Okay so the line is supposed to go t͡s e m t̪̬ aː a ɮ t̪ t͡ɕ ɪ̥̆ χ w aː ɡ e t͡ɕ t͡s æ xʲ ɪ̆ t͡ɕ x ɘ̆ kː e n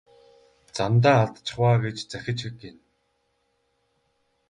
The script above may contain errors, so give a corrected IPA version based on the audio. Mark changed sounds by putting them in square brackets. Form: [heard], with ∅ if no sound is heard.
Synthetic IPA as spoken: t͡s [a] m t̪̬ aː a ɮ t̪ t͡ɕ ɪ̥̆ χ w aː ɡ e t͡ɕ t͡s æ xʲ ɪ̆ t͡ɕ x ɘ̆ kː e n